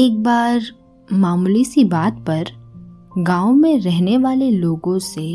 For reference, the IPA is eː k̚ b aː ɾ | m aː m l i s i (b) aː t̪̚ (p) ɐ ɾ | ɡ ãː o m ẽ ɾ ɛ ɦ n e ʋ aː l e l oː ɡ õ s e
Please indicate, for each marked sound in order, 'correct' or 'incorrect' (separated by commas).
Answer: correct, correct